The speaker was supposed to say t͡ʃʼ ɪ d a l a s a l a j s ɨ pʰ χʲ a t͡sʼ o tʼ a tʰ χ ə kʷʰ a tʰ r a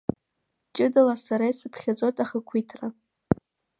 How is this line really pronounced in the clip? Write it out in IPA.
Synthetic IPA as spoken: t͡ʃʼ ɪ d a l a s a ɾ a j s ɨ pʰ χʲ a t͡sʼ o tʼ a χ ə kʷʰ i tʰ r a